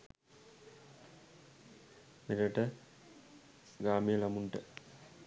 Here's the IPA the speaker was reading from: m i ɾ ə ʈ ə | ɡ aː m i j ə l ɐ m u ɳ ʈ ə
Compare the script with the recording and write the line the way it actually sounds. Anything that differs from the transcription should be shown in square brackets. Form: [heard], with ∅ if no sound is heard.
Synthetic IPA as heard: m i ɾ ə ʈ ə | ɡ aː m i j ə l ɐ m u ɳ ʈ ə